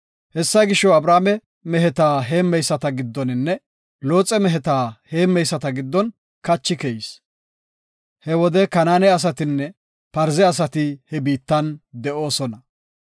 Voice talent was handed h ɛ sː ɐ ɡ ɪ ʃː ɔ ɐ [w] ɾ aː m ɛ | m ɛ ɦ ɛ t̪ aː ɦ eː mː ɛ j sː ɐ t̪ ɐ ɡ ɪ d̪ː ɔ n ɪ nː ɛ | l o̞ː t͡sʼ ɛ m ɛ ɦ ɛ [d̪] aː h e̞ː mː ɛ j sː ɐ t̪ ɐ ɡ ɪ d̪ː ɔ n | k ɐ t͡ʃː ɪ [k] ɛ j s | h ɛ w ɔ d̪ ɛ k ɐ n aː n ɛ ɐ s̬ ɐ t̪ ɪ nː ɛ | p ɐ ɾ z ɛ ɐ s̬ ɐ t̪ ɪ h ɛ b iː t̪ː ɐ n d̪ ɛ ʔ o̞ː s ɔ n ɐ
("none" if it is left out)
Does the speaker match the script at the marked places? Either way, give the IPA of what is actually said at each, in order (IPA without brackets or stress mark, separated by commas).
b, t̪, k